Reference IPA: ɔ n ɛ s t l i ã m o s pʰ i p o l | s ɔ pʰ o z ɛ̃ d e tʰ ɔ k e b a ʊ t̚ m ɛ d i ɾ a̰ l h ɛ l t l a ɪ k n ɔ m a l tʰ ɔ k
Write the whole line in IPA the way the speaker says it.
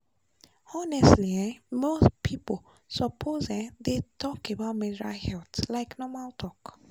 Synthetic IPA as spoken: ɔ n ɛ s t l i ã m o s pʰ i p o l | s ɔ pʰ o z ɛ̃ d e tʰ ɔ k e b a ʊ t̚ m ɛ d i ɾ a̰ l h ɛ l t l a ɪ k n ɔ m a l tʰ ɔ k